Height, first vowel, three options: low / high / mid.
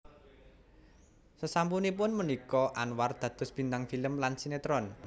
mid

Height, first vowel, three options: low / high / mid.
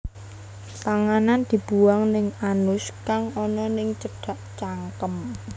low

